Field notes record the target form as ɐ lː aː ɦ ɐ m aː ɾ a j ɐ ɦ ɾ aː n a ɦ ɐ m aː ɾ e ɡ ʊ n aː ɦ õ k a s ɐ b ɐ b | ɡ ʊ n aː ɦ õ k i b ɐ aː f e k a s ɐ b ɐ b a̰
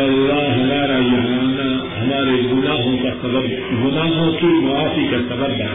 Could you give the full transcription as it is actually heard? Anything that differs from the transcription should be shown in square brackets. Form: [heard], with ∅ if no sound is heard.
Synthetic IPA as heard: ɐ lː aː ɦ ɐ m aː ɾ a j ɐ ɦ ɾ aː n a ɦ ɐ m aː ɾ e ɡ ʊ n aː ɦ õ k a s ɐ b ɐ b | ɡ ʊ n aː ɦ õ k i [m] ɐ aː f [i] k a s ɐ b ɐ b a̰